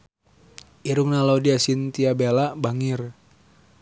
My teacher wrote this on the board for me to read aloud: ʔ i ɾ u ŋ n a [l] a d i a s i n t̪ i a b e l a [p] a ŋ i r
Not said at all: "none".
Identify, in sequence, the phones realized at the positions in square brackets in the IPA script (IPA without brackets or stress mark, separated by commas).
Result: l, b